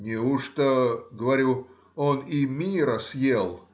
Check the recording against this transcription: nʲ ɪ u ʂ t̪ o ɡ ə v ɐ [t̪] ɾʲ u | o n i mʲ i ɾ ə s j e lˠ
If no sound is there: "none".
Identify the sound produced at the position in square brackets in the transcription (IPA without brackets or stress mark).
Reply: none